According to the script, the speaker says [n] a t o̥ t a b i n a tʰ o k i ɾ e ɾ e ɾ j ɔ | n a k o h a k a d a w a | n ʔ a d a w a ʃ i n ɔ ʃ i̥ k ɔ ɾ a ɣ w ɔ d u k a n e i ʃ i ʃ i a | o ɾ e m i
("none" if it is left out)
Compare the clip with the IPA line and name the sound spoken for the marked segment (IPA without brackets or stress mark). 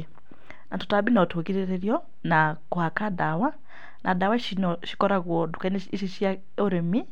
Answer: n